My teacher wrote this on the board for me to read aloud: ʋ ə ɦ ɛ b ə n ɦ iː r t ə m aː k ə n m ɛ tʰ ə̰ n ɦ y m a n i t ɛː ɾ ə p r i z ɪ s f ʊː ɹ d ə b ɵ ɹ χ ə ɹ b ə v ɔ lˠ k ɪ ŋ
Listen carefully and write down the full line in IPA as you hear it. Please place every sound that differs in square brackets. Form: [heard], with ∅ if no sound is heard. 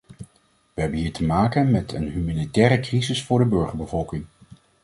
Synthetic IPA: ʋ ə ɦ ɛ b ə n ɦ iː [ɹ] t ə m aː k ə n m ɛ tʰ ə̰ n ɦ y m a n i t ɛː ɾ ə [k] r i z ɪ s f ʊː ɹ d ə b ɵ ɹ χ ə ɹ b ə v ɔ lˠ k ɪ ŋ